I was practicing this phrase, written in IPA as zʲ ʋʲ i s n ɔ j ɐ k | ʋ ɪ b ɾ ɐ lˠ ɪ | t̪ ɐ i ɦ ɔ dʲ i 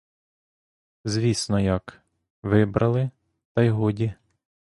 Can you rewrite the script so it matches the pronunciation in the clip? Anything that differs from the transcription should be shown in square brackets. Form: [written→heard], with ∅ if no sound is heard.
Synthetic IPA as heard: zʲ ʋʲ i s n ɔ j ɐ k | ʋ ɪ b ɾ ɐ lˠ ɪ | t̪ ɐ [i→j] ɦ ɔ dʲ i